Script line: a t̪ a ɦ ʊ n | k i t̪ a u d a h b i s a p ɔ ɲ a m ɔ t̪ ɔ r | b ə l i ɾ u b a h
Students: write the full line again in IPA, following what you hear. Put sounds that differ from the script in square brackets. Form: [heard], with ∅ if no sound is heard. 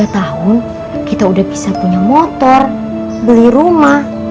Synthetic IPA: a t̪ a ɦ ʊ n | k i t̪ a u d a h b i s a p [u] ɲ a m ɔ t̪ ɔ r | b ə l i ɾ u [m] a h